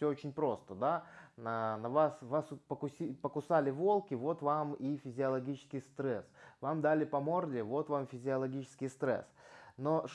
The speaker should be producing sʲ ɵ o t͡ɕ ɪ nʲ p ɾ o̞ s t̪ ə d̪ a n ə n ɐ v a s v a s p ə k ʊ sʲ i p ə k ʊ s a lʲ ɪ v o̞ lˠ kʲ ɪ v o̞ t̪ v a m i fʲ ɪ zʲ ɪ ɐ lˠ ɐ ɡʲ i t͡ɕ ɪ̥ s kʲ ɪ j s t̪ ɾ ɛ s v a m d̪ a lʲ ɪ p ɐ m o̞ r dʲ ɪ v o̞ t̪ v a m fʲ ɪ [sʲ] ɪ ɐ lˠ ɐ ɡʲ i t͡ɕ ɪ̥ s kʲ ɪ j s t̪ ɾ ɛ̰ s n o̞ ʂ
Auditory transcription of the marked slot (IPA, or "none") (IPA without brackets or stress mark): zʲ